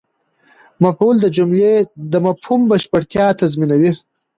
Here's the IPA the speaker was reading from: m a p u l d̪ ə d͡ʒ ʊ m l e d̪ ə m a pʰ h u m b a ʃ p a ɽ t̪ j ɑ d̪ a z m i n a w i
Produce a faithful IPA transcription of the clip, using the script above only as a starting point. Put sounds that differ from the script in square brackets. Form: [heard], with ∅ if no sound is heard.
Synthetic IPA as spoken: m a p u l d̪ ə d͡ʒ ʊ m l e d̪ ə m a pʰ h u m b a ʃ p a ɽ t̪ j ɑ [t̪] a z m i n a w i